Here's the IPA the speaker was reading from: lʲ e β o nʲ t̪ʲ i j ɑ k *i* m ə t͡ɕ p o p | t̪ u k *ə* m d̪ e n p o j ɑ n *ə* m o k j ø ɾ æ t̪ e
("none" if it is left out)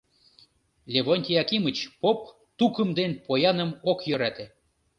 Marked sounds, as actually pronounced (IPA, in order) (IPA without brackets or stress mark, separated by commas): i, ə, ə